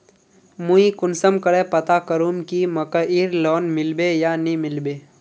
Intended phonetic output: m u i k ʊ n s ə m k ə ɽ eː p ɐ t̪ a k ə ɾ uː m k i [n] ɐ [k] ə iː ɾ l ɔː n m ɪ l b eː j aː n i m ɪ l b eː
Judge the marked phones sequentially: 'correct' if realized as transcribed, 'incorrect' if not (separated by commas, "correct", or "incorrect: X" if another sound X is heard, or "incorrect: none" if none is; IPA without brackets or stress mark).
incorrect: m, correct